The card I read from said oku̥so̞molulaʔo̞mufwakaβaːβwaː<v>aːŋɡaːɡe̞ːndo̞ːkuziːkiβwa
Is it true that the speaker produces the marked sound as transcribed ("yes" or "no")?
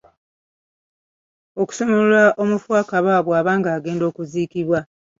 no